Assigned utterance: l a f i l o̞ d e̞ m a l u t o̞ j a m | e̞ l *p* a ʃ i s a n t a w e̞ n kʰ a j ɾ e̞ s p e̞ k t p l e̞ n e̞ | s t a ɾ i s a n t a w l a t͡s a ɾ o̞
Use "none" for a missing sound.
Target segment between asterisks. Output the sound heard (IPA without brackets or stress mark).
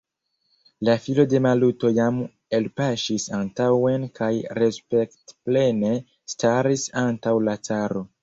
p